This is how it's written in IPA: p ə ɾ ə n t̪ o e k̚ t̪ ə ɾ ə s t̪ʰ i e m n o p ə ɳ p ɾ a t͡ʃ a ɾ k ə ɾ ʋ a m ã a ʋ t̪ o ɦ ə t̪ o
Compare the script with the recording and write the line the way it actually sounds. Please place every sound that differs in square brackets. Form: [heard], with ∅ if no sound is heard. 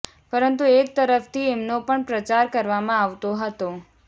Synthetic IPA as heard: p ə ɾ ə n t̪ [u] e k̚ t̪ ə ɾ ə [f] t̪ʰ i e m n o p ə ɳ p ɾ [ə] t͡ʃ a ɾ k ə ɾ ʋ a m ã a ʋ t̪ o ɦ ə t̪ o

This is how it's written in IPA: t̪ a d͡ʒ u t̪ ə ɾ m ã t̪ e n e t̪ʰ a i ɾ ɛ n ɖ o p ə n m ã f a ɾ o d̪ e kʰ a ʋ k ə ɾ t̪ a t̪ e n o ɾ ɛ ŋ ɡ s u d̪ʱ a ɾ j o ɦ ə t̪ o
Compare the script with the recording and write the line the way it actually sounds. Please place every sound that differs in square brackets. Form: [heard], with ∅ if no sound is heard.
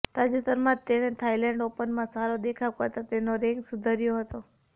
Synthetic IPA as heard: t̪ a d͡ʒ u t̪ ə ɾ m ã t̪ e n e t̪ʰ a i [l] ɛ [ɳ] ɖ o p ə n m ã [s] a ɾ o d̪ e kʰ a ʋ k ə ɾ t̪ a t̪ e n o ɾ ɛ ŋ ɡ s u d̪ʱ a ɾ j o ɦ ə t̪ o

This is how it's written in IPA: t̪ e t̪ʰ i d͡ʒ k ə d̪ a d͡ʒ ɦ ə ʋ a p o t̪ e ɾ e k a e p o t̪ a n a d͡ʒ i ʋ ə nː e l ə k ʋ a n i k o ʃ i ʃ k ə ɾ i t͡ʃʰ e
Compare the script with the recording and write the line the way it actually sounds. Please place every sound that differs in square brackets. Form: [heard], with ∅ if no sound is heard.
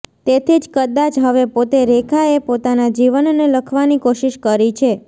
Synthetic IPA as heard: t̪ e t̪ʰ i d͡ʒ k ə d̪ a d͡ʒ ɦ ə ʋ [e] p o t̪ e ɾ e [kʰ] a e p o t̪ a n a d͡ʒ i ʋ ə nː e l ə [kʰ] ʋ a n i k o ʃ i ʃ k ə ɾ i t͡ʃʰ e

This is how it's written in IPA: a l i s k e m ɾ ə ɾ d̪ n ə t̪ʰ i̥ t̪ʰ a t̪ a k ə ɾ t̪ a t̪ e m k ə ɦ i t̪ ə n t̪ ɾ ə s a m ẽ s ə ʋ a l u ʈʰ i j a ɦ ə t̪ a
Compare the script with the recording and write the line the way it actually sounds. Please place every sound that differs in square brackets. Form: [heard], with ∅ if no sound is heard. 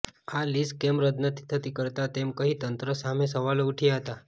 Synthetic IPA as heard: a l i s k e m ɾ ə [∅] d̪ n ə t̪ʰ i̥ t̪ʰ [ə] t̪ [i] k ə ɾ t̪ a t̪ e m k ə ɦ i t̪ ə n t̪ ɾ ə s a m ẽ s ə ʋ a l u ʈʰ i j a ɦ ə t̪ a

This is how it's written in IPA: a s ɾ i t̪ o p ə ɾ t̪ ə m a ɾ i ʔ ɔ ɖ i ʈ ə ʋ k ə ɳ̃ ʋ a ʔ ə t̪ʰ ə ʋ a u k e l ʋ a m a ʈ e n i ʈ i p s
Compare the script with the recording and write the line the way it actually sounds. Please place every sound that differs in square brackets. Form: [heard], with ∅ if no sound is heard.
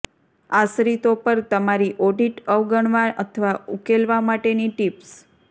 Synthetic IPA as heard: a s ɾ i t̪ o p ə ɾ t̪ ə m a ɾ i ʔ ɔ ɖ i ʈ ə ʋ [ɡ] ə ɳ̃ ʋ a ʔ ə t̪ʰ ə ʋ a u k e l ʋ a m a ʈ e n i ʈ i p s

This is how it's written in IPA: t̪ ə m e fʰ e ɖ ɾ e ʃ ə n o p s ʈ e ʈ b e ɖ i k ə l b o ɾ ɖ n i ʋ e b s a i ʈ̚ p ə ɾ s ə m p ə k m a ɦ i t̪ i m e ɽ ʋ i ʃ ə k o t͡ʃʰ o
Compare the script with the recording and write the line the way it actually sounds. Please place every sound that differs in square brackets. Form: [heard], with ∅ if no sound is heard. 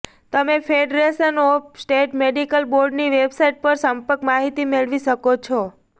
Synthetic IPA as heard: t̪ ə m e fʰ e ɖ ɾ e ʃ ə n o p s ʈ e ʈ [m] e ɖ i k ə l b o ɾ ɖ n i ʋ e b s a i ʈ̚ p ə ɾ s ə m p ə k m a ɦ i t̪ i m e [ɭ] ʋ i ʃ ə k o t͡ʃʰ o

